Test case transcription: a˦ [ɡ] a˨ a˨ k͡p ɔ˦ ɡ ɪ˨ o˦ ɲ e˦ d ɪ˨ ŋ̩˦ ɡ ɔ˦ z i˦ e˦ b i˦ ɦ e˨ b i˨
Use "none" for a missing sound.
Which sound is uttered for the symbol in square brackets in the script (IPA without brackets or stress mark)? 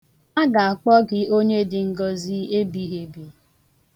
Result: ɡ